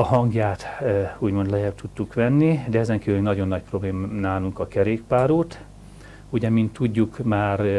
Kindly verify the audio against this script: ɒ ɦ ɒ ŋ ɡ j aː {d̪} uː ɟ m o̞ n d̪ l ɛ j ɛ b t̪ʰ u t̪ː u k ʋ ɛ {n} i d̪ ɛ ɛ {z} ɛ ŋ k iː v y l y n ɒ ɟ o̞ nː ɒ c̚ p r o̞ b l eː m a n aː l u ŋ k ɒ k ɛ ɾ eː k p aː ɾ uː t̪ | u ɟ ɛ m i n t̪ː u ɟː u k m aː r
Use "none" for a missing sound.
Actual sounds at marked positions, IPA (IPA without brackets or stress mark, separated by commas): t̪, nː, z